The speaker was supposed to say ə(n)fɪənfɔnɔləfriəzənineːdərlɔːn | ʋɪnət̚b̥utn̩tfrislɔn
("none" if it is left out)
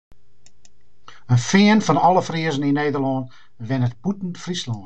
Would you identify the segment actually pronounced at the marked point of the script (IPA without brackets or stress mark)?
n